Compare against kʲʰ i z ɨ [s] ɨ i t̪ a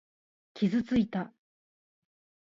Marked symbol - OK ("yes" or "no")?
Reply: no